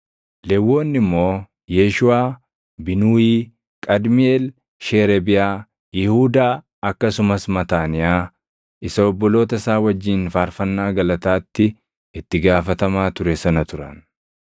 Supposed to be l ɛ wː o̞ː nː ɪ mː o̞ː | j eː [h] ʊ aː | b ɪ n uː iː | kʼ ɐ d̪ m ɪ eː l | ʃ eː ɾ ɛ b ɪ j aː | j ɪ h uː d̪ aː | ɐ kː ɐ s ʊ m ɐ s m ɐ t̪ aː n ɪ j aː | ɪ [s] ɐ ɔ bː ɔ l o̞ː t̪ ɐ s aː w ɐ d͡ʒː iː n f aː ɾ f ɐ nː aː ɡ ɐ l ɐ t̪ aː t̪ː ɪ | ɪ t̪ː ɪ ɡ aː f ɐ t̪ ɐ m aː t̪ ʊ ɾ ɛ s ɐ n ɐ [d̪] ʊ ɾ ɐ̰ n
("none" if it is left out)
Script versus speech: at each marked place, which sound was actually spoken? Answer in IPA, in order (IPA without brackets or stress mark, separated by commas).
ʃ, s, t̪